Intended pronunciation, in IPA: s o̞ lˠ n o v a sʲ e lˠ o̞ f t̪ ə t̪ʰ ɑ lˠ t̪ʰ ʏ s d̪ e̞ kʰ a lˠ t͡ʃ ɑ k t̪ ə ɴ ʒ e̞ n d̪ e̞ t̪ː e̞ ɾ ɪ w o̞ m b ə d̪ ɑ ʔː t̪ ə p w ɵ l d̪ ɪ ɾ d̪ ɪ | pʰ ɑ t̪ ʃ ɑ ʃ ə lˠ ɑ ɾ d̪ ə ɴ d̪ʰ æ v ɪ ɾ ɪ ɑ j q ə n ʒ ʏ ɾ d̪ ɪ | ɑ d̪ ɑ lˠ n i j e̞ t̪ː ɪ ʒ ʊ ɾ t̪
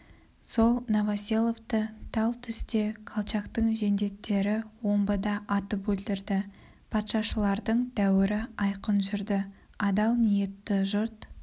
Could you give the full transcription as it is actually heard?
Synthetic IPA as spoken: s o̞ lˠ n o v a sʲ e lˠ o̞ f t̪ ə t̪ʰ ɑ lˠ t̪ʰ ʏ s t̪ e̞ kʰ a lˠ t͡ʃ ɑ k t̪ ə ɴ ʒ e̞ n d̪ e̞ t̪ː e̞ ɾ ɪ w o̞ m b ə d̪ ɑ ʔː t̪ ə p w ɵ l d̪ ɪ ɾ d̪ ɪ | pʰ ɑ t̪ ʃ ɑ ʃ ə lˠ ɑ ɾ d̪ ə ɴ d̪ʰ æ w ɪ ɾ ɪ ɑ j q ə n ʒ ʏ ɾ d̪ ɪ | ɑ d̪ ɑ lˠ n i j e̞ t̪ː ɪ ʒ ʊ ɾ t̪

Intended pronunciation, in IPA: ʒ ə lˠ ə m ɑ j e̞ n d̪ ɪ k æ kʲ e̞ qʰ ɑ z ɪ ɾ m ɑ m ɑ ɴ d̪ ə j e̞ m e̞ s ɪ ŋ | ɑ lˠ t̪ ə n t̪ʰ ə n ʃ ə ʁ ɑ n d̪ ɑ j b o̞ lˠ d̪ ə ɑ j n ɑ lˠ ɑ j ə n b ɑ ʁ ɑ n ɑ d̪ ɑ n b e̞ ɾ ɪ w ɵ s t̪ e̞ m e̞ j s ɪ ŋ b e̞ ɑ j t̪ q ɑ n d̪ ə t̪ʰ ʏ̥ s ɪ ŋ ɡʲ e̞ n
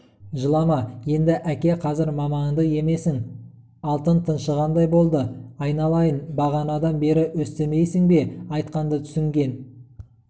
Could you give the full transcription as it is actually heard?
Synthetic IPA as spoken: ʒ ə lˠ ɑ m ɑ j e̞ n d̪ ɪ ʔ æ kʲ e̞ qʰ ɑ z ɪ ɾ m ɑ m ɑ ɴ d̪ ə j e̞ m e̞ s ɪ ŋ | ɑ lˠ t̪ ə n t̪ʰ ə n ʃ ə ʁ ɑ n d̪ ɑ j b o̞ lˠ d̪ ə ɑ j n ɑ lˠ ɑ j ə n b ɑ ʁ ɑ n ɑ d̪ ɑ n b e̞ ɾ ɪ w ɵ s t̪ e̞ m e̞ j s ɪ ŋ b e̞ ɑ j t̪ q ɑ n d̪ ə t̪ʰ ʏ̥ s ɪ ŋ ɡʲ e̞ n

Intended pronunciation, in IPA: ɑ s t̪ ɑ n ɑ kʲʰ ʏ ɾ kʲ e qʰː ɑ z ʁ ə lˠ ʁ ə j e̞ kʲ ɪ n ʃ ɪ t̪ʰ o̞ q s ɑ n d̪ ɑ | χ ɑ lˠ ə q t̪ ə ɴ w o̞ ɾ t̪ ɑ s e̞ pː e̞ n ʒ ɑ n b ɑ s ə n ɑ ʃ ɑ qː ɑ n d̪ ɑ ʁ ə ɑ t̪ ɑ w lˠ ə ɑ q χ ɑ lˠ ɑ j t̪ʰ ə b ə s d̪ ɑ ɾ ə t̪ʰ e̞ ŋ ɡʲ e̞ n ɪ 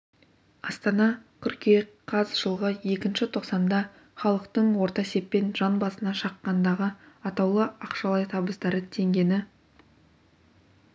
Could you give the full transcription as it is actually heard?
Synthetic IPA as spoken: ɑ s t̪ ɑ n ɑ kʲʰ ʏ ɾ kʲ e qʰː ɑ z ʒ ə lˠ ʁ ə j e̞ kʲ ɪ n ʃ ɪ t̪ʰ o̞ q s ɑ n d̪ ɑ | χ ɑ lˠ ə q t̪ ə ɴ w o̞ ɾ t̪ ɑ s e̞ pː e̞ n ʒ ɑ n b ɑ s ə n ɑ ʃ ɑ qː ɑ n d̪ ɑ ʁ ə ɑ t̪ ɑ w lˠ ə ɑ q ʃ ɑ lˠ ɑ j t̪ʰ ɑ b ə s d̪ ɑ ɾ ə t̪ʰ e̞ ŋ ɡʲ e̞ n ɪ

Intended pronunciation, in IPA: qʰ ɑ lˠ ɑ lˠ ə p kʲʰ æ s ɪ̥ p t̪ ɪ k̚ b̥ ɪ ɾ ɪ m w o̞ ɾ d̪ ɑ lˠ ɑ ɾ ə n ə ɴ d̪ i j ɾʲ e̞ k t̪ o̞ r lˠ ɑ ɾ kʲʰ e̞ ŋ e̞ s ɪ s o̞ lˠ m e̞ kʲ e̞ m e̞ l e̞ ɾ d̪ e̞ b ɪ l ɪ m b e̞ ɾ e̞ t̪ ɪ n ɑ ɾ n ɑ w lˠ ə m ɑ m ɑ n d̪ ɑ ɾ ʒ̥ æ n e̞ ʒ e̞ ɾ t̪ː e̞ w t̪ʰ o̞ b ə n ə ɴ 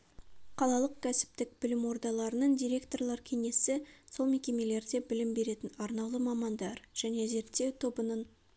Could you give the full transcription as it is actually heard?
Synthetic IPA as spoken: qʰ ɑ lˠ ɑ lˠ ə q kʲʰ æ s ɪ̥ p t̪ ɪ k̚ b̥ ɪ l ɪ m w o̞ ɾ d̪ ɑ lˠ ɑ ɾ ə n ə ɴ d̪ i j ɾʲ e̞ k t̪ o̞ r lˠ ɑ ɾ kʲʰ e̞ ŋ e̞ s ɪ s o̞ lˠ m e̞ kʲ e̞ m e̞ l e̞ ɾ d̪ e̞ b ɪ l ɪ m b e̞ ɾ e̞ t̪ ɪ n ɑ ɾ n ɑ w lˠ ə m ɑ m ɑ n d̪ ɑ ɾ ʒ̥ æ n e̞ z e̞ ɾ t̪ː e̞ w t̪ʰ o̞ b ə n ə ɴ

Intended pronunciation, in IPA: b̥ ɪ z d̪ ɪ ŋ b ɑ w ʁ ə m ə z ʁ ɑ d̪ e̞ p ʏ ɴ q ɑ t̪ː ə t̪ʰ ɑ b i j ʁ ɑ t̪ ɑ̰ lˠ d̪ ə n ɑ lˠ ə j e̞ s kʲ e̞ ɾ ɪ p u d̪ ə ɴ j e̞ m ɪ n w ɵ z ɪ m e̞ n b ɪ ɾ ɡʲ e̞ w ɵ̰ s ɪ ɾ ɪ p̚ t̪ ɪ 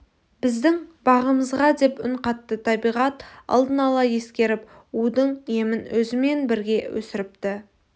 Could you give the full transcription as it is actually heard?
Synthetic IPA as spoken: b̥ ɪ z d̪ ɪ ŋ b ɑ ʁ ə m ə z ʁ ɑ d̪ e̞ p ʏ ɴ q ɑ t̪ː ə t̪ʰ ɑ b i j ʁ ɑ t̪ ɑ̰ lˠ d̪ ə n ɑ lˠ ɑ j e̞ s kʲ e̞ ɾ ɪ p u d̪ ə ɴ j e̞ m ɪ n w ɵ z ɪ m e̞ n b ɪ ɾ ɡʲ e̞ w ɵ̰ s ɪ ɾ ɪ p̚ t̪ ɪ

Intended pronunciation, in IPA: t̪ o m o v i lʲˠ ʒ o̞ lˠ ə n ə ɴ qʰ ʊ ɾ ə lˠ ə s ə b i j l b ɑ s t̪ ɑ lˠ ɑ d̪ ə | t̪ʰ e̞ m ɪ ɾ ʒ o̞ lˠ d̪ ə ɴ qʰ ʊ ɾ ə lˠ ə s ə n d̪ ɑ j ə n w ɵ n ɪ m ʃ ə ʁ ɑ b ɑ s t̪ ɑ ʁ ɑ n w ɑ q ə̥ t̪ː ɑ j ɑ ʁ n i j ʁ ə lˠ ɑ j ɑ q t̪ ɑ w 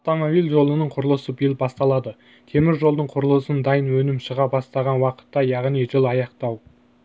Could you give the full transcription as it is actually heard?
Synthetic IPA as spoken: t̪ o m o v i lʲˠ ʒ o̞ lˠ ə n ə ɴ qʰ ʊ ɾ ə lˠ ə s ə b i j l b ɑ s t̪ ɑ lˠ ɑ d̪ ə | t̪ʰ e̞ m ɪ ɾ ʒ o̞ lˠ d̪ ə ɴ qʰ ʊ ɾ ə lˠ ə s ə n d̪ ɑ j ə n w ɵ n ɪ m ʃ ə ʁ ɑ b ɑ s t̪ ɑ ʁ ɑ n w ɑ q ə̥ t̪ː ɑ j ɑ ʁ n i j ʒ ə lˠ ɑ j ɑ q t̪ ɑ w

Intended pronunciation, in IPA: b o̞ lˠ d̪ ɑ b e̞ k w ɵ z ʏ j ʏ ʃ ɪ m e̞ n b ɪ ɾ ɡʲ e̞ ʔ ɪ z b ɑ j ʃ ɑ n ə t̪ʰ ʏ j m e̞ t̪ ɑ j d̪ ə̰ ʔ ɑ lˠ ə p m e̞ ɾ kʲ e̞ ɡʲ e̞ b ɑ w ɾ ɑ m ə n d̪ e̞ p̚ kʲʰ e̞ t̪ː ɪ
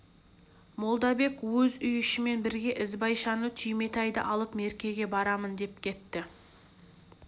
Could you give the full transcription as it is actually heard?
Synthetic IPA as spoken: m o̞ lˠ d̪ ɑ b e̞ k w ɵ z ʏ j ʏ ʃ ɪ m e̞ n b ɪ ɾ ɡʲ e̞ ʔ ɪ z b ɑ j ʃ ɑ n ə t̪ʰ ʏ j m e̞ t̪ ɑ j d̪ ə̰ ʔ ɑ lˠ ə p m e̞ ɾ kʲ e̞ ɡʲ e̞ b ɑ ɾ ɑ m ə n d̪ e̞ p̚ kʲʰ e̞ t̪ː ɪ

